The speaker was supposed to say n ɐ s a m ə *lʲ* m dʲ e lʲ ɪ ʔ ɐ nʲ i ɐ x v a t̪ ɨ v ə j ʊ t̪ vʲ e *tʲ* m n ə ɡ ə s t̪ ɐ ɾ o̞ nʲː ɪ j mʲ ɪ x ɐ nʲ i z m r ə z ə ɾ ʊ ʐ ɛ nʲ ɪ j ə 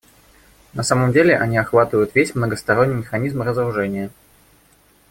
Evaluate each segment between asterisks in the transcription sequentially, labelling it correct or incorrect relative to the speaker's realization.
incorrect: none, incorrect: sʲ

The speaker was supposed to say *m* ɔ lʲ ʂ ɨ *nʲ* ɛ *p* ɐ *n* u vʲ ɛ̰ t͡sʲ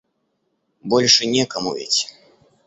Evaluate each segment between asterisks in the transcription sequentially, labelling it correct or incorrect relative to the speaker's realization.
incorrect: b, correct, incorrect: k, incorrect: m

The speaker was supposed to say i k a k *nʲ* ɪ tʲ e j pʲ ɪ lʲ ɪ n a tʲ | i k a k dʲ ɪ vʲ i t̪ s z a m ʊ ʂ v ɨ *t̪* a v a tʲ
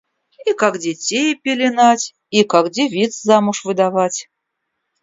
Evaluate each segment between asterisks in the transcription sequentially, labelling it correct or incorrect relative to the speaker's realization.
incorrect: dʲ, incorrect: d̪

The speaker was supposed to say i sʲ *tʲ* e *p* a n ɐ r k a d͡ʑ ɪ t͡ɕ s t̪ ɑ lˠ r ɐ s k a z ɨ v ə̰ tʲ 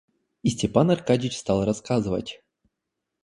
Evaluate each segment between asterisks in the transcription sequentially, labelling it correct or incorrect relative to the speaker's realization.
correct, correct

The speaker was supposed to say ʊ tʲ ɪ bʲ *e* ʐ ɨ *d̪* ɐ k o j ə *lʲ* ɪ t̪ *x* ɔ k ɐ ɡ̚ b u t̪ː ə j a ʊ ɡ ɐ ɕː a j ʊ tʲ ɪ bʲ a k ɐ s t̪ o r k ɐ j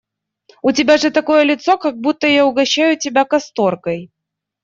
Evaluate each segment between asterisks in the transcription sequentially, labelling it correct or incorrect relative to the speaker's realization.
incorrect: a, incorrect: t̪, correct, incorrect: s

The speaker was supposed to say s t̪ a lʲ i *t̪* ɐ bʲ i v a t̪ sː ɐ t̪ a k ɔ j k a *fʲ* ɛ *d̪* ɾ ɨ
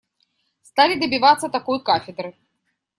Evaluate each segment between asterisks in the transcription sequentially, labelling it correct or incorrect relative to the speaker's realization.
incorrect: d̪, correct, correct

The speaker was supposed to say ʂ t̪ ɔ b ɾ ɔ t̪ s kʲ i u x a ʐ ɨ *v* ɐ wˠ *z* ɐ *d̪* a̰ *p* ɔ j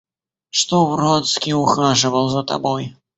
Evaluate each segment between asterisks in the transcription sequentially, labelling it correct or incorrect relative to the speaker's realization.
correct, correct, incorrect: t̪, incorrect: b

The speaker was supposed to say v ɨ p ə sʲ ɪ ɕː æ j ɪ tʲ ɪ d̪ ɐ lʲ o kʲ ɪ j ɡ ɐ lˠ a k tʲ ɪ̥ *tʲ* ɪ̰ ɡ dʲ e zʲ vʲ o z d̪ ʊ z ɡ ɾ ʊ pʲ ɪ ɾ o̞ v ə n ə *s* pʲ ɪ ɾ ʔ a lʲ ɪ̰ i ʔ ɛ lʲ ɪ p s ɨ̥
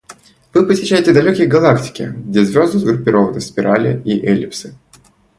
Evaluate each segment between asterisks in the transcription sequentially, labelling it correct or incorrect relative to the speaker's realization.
incorrect: kʲ, correct

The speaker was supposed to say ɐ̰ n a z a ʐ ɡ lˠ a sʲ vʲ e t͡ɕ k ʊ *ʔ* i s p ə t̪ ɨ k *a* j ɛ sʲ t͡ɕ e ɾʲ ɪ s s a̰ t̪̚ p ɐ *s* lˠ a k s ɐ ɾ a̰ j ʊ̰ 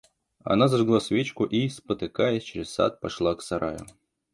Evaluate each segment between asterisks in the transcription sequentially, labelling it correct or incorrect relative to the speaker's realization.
correct, correct, incorrect: ʂ

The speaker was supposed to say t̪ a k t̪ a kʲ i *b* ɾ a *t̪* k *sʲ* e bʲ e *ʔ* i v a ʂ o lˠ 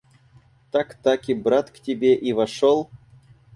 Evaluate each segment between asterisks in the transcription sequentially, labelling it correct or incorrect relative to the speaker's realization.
correct, correct, incorrect: tʲ, correct

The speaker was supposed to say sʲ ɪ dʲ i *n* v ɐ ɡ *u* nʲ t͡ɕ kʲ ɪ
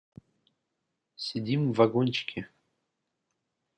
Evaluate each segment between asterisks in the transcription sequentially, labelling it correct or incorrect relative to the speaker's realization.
incorrect: m, incorrect: o

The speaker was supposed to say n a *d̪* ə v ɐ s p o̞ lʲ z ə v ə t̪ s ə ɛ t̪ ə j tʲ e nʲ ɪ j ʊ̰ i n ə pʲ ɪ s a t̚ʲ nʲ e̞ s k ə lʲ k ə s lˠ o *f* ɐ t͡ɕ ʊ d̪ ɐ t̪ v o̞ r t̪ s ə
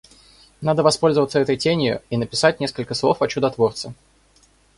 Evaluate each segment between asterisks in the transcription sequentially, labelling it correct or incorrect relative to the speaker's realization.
correct, correct

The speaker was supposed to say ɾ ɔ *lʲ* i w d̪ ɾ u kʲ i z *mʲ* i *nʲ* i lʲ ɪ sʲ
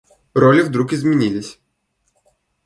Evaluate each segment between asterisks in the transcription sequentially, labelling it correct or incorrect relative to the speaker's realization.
correct, correct, correct

